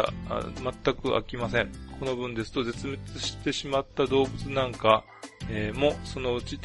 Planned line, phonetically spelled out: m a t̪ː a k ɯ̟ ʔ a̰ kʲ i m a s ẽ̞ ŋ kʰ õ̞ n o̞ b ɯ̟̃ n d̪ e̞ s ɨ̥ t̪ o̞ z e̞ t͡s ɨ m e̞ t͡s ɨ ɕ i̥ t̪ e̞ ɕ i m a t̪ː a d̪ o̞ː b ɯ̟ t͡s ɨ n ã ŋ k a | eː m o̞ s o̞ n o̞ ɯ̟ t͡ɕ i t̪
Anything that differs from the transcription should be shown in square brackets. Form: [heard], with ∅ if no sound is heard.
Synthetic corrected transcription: m a t̪ː a k ɯ̟ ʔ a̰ kʲ i m a s ẽ̞ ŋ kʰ [o̞] n o̞ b ɯ̟̃ n d̪ e̞ s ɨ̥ t̪ o̞ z e̞ t͡s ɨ m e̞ t͡s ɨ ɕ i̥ t̪ e̞ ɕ i m a t̪ː a d̪ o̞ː b ɯ̟ t͡s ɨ n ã ŋ k a | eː m o̞ s o̞ n o̞ ɯ̟ t͡ɕ i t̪